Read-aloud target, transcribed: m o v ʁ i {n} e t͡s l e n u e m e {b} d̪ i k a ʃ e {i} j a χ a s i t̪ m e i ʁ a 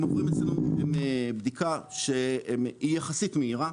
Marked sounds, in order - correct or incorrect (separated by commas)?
incorrect, correct, correct